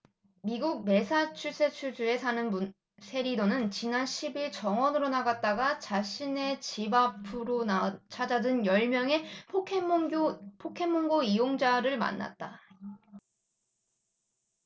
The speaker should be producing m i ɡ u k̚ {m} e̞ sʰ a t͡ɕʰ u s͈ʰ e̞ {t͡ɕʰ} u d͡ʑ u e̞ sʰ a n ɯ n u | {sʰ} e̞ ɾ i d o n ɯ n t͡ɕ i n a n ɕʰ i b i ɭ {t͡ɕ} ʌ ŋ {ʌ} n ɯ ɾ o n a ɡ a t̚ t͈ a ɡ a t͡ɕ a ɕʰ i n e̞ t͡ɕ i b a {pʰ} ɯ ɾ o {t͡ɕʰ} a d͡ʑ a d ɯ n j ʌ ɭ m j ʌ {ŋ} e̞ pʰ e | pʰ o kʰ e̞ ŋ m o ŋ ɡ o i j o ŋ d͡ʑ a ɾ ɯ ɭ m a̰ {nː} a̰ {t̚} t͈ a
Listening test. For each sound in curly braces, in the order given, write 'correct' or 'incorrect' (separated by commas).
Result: correct, correct, correct, correct, correct, correct, correct, correct, correct, correct